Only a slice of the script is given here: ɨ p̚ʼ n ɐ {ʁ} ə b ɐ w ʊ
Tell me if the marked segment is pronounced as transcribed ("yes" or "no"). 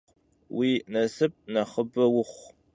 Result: no